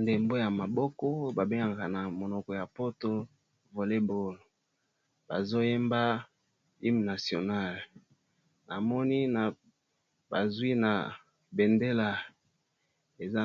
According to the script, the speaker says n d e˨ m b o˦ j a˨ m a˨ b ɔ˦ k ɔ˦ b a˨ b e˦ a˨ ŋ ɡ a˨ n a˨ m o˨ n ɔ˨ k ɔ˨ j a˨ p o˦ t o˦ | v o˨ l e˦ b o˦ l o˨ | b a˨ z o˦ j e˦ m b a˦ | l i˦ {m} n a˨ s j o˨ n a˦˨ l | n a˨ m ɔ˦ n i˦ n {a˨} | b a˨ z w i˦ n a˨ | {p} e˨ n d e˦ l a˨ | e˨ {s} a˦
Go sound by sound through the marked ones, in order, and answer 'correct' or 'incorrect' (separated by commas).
correct, correct, incorrect, incorrect